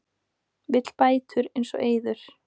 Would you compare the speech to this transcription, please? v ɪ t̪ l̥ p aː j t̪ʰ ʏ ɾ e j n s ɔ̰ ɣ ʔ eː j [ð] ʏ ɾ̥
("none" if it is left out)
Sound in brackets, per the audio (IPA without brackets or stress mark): ð